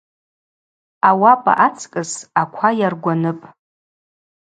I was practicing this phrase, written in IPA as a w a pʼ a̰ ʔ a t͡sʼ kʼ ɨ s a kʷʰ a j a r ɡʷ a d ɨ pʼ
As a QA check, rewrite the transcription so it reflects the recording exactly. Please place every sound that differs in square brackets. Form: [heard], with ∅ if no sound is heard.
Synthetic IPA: a w a pʼ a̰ ʔ a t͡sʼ kʼ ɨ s a kʷʰ a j a r ɡʷ a [n] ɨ pʼ

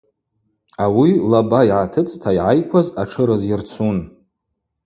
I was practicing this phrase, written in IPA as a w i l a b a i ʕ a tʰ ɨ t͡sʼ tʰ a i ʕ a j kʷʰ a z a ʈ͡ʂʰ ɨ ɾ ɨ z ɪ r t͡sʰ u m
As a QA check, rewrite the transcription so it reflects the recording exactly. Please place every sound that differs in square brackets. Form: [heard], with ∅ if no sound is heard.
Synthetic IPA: a w i l a b a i ʕ a tʰ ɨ t͡sʼ tʰ a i ʕ a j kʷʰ a z a ʈ͡ʂʰ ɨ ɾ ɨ z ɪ r t͡sʰ u [n]

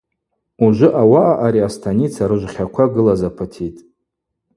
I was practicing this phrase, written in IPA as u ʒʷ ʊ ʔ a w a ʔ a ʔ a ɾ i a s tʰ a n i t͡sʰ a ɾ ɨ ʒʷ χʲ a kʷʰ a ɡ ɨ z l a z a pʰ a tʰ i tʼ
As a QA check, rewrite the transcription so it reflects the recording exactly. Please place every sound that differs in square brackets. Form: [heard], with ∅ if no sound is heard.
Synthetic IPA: u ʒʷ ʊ ʔ a w a ʔ a ʔ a ɾ i a s tʰ a n i t͡sʰ a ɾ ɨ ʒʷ χʲ a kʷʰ a ɡ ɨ [∅] l a z a pʰ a tʰ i tʼ

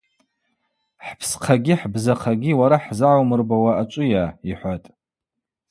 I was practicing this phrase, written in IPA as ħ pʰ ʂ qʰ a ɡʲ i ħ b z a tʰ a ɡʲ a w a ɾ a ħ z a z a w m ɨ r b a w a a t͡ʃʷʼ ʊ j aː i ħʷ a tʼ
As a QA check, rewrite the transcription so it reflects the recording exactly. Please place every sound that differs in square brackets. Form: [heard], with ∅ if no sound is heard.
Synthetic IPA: ħ pʰ [s] qʰ a ɡʲ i ħ b z a [qʰ] a ɡʲ [i] w a ɾ a ħ z a [ʕ] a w m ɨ r b a w a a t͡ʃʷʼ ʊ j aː i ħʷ a tʼ

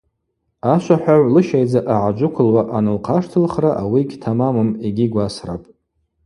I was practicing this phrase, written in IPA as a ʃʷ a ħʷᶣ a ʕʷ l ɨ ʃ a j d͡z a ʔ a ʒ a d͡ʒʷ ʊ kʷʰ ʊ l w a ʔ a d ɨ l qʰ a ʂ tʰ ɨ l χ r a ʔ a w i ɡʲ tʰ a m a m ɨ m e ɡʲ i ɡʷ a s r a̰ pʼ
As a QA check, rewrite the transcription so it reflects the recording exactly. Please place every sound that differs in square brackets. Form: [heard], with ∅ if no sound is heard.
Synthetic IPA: a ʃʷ a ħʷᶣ a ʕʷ l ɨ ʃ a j d͡z a ʔ a [ʕ] a d͡ʒʷ ʊ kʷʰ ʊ l w a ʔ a [n] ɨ l qʰ a ʂ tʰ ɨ l χ r a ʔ a w i ɡʲ tʰ a m a m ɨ m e ɡʲ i ɡʷ a s r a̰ pʼ

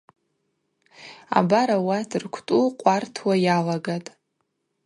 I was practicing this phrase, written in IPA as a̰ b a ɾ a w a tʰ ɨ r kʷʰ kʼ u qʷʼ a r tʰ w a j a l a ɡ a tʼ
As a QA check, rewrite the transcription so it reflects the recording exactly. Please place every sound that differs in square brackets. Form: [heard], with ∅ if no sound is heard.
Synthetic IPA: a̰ b a ɾ a w a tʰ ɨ r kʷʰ [tʼ] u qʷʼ a r tʰ w a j a l a ɡ a tʼ

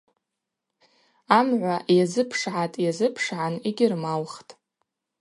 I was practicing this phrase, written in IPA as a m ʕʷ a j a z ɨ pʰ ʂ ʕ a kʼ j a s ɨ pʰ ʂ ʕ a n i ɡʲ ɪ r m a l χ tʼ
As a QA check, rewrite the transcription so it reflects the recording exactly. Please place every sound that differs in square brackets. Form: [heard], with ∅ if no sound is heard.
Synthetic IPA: a m ʕʷ a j a z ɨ pʰ ʂ ʕ a [tʼ] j a [z] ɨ pʰ ʂ ʕ a n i ɡʲ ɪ r m a l χ tʼ

